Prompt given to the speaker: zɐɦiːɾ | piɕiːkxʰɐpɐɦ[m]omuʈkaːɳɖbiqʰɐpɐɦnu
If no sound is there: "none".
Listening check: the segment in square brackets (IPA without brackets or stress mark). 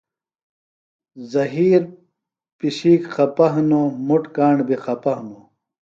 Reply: n